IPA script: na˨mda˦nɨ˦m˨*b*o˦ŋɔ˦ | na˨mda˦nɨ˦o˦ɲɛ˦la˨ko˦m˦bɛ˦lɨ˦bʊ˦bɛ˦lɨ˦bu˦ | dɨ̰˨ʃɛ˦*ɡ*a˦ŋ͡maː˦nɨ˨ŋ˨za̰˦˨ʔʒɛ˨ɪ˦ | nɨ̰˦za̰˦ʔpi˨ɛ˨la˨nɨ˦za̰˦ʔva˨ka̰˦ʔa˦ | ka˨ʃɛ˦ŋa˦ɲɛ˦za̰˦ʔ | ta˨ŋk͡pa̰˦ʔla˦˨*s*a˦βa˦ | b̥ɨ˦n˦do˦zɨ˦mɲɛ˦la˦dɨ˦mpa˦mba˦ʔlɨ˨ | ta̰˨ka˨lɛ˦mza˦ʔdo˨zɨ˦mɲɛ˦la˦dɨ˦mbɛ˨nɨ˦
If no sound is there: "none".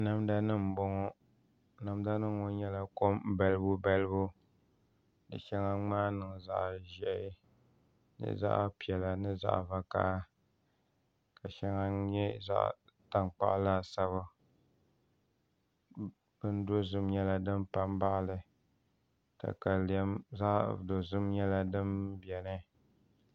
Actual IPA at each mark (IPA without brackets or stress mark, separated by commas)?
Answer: b, ŋ, s